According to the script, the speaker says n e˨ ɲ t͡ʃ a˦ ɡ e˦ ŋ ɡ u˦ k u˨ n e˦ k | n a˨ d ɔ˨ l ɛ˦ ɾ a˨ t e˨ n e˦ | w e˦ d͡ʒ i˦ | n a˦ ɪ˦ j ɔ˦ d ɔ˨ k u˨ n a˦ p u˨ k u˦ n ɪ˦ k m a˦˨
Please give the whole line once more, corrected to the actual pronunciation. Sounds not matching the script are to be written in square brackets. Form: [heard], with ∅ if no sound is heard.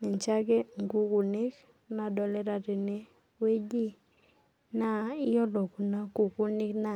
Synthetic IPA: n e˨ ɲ t͡ʃ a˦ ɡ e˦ ŋ ɡ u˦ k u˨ n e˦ k | n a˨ d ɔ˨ l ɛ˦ ɾ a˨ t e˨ n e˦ | w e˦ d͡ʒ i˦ | n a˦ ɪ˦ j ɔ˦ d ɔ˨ k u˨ n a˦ [k] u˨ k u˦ n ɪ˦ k [n] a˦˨

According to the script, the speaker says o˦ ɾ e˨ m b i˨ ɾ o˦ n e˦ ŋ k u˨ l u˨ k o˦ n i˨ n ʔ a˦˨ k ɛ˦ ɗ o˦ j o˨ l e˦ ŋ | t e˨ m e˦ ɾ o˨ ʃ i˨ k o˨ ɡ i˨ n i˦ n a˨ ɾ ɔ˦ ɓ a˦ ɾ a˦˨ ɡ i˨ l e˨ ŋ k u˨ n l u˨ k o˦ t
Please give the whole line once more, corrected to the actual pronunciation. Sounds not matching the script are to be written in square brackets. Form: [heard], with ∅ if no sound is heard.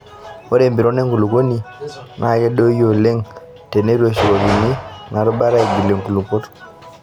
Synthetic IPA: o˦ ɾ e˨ m b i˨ ɾ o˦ n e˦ ŋ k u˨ l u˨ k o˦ n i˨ n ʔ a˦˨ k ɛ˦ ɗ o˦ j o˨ l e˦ ŋ | t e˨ [n] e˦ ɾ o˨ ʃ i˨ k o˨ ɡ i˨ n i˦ n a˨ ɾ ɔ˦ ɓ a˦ ɾ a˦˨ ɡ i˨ l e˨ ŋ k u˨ [∅] l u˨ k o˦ t

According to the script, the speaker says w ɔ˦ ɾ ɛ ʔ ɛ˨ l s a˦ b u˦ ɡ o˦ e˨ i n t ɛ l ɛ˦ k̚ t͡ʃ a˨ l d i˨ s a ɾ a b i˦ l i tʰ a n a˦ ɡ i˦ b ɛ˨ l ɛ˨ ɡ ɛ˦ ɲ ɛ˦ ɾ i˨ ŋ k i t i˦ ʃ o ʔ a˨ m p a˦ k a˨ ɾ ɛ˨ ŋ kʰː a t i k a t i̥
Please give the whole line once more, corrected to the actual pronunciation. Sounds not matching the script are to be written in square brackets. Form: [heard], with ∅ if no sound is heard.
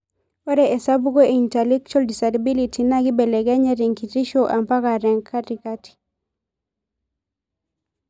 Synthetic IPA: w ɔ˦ ɾ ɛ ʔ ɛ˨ [∅] s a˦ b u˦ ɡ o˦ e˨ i n t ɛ l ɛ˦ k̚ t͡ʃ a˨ l d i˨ s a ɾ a b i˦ l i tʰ [i] n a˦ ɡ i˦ b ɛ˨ l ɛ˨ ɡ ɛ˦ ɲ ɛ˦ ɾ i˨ ŋ k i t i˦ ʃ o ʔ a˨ m p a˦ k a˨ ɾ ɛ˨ ŋ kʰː a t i k a t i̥

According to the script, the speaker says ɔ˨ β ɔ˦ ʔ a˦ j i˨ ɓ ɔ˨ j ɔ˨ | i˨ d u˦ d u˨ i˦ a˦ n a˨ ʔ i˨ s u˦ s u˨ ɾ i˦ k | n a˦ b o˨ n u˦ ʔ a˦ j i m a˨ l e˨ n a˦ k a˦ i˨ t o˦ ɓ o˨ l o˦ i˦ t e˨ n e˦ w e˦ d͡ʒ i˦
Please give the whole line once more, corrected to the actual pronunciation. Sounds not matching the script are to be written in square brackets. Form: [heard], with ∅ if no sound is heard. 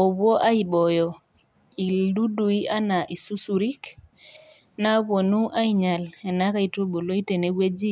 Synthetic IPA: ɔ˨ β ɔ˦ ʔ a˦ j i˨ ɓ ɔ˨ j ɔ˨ | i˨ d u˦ d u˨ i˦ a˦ n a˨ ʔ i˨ s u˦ s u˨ ɾ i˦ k | n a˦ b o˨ n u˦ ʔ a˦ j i [ɲ] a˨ l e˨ n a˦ k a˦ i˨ t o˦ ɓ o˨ l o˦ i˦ t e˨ n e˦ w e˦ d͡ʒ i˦

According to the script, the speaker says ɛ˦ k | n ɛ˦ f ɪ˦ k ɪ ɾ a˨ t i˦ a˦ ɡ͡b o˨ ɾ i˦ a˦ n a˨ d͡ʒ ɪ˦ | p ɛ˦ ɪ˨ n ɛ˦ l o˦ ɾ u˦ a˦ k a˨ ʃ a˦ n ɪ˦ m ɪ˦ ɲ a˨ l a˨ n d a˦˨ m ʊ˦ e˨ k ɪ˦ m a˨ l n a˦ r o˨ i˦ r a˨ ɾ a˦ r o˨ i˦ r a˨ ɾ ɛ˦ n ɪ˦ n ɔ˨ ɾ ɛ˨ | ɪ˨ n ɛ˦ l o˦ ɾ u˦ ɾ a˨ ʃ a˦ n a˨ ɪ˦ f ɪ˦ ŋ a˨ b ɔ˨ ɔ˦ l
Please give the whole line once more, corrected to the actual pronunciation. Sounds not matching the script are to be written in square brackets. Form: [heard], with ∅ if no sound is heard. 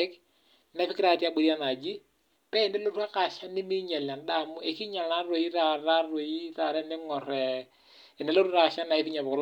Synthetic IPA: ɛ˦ k | n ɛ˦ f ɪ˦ k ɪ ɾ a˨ t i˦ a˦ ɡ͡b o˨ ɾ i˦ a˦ n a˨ d͡ʒ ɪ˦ | p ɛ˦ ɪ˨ n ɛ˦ l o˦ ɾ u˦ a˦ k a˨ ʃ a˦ n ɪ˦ m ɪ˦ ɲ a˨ l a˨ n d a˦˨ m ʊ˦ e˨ k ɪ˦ [ɲ] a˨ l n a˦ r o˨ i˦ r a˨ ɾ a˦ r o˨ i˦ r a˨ ɾ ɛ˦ n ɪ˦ [ŋ] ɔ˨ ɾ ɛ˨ | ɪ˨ n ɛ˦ l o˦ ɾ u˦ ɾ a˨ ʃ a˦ n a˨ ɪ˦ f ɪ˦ [ɲ] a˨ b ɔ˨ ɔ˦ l

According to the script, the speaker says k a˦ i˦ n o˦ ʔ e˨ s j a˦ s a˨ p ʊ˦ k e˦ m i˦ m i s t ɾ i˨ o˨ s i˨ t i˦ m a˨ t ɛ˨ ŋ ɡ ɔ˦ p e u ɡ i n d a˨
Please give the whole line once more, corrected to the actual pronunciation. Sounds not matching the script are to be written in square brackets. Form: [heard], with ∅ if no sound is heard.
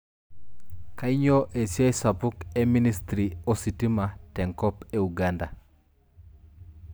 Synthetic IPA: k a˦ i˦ [ɲ] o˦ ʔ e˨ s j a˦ s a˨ p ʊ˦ k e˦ m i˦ [n] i s t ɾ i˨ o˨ s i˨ t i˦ m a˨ t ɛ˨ ŋ [k] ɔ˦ p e u ɡ [a] n d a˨

